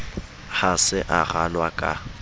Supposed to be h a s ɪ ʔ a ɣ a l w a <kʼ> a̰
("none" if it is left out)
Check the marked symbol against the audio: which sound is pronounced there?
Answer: kʼ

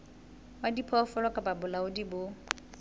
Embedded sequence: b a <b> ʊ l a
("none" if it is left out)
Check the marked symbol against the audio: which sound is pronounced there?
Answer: b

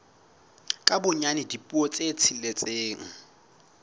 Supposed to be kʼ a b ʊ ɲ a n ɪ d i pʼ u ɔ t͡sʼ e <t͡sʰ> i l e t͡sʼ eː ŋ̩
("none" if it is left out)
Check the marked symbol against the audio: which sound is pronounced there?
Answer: t͡sʰ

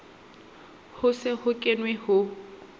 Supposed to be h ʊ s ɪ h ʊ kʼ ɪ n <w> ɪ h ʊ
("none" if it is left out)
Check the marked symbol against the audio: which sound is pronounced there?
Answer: w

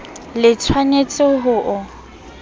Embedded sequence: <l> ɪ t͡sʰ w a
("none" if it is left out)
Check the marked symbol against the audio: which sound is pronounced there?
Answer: l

